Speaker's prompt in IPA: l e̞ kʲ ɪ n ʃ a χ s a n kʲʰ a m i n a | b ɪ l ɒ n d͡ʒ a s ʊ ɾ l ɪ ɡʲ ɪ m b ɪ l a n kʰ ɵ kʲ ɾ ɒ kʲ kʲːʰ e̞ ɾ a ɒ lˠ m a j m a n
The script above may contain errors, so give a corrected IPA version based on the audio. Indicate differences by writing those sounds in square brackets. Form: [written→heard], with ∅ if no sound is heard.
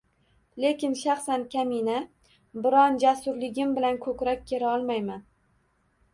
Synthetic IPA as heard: l e̞ kʲ ɪ n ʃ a χ s a n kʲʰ a m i n a | b ɪ [l→ɾ] ɒ n d͡ʒ a s ʊ ɾ l ɪ ɡʲ ɪ m b ɪ l a n kʰ ɵ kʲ ɾ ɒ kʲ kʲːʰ e̞ ɾ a ɒ lˠ m a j m a n